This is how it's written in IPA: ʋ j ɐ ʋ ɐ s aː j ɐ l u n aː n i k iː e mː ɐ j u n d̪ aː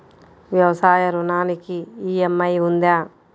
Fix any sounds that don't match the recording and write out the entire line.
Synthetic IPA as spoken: ʋ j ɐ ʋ ɐ s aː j ɐ ɾ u n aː n i k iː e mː ɐ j u n d̪ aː